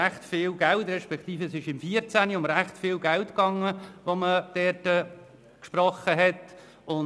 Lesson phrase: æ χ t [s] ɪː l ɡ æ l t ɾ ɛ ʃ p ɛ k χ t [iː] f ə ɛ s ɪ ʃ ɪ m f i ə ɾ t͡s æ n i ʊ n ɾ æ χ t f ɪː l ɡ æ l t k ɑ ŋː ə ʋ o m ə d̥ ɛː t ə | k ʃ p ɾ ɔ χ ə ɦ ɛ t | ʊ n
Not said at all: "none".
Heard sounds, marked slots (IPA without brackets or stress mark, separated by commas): f, iː